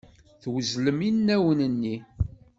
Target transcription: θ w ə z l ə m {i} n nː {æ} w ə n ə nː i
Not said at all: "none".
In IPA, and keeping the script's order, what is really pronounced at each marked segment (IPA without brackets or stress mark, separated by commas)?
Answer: i, æ